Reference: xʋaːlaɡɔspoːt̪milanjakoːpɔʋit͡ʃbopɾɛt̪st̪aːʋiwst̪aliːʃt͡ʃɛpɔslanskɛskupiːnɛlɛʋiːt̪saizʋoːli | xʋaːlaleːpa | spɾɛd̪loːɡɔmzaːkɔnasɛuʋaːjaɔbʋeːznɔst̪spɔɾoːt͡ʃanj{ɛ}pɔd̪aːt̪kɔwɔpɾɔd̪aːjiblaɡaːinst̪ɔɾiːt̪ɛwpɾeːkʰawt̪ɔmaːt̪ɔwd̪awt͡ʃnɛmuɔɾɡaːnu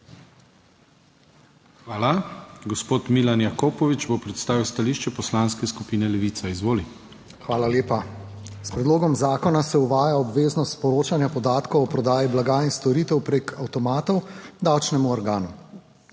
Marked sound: incorrect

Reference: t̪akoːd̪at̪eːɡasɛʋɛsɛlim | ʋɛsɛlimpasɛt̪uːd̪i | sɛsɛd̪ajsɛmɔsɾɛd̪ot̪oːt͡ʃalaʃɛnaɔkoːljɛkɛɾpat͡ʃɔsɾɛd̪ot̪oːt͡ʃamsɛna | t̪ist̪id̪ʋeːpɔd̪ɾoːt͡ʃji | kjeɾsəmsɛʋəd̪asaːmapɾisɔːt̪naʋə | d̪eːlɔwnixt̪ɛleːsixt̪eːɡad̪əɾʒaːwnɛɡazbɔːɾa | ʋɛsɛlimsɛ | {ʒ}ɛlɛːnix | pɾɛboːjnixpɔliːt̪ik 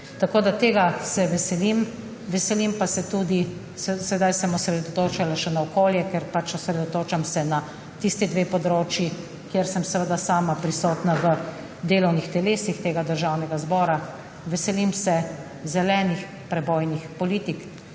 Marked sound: incorrect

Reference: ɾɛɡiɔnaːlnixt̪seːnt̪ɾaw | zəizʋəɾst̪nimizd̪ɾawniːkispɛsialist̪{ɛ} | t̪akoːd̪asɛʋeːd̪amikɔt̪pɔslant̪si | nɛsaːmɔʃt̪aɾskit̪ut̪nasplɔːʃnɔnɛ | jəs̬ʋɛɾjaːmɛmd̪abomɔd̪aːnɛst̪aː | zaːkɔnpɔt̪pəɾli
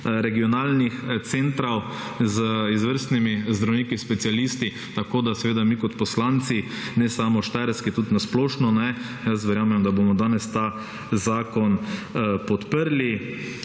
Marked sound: incorrect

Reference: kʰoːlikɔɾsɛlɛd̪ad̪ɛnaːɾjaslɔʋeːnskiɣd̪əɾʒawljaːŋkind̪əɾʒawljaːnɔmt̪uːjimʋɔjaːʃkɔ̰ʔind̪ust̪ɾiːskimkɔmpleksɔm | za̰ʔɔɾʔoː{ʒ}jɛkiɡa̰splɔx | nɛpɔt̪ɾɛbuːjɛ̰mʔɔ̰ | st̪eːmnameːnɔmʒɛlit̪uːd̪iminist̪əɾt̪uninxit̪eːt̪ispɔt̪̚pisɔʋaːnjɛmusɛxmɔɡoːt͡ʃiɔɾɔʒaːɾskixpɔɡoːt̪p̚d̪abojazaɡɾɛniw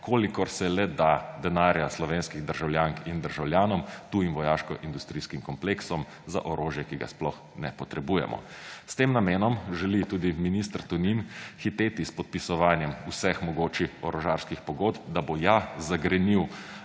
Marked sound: correct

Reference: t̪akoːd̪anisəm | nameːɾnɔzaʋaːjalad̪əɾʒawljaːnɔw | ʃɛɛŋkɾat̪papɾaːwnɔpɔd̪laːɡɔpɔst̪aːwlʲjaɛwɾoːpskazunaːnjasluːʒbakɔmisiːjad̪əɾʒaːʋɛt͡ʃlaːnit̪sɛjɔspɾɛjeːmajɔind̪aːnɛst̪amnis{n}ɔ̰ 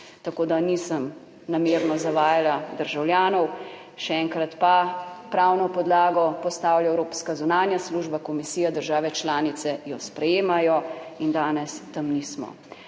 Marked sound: incorrect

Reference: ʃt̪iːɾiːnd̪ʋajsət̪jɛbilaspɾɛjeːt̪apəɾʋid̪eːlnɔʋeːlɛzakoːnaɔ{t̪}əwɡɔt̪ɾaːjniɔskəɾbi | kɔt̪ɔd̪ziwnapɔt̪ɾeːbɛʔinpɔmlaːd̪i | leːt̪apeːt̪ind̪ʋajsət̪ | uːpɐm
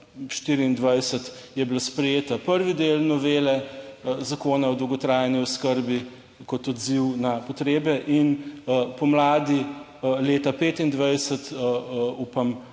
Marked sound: incorrect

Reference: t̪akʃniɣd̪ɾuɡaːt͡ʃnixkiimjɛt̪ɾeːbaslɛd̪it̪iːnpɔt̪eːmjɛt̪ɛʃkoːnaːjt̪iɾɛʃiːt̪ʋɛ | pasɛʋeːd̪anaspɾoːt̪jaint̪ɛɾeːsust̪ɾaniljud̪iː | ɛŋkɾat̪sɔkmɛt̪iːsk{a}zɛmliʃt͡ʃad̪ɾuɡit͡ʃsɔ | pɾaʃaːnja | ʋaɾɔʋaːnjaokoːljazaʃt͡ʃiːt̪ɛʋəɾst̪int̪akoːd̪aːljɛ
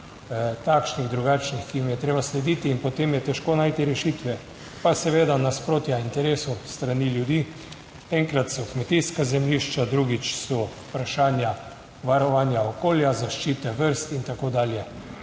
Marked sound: correct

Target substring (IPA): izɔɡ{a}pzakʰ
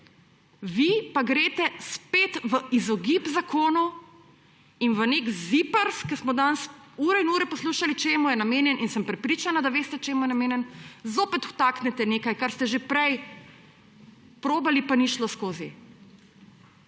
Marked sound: incorrect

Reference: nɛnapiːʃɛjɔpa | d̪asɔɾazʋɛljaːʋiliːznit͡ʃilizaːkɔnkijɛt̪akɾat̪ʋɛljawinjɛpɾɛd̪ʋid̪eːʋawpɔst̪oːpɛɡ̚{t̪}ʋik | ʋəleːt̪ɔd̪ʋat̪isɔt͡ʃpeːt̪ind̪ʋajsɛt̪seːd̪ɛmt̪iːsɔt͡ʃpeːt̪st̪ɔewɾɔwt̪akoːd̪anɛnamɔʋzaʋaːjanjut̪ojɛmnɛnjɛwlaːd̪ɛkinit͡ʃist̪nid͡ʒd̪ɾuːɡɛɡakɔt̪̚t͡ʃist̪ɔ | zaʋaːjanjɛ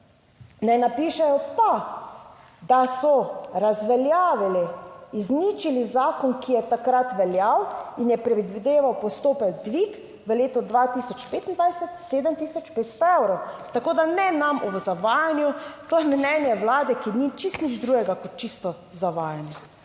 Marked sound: incorrect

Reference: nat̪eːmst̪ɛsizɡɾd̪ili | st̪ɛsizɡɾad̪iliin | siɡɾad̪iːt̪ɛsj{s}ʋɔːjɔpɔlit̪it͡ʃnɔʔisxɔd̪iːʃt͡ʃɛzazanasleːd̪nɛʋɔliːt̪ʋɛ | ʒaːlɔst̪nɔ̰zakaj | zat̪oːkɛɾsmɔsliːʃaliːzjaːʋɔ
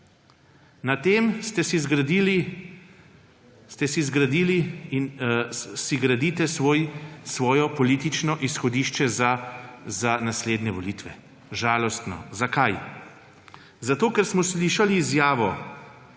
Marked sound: correct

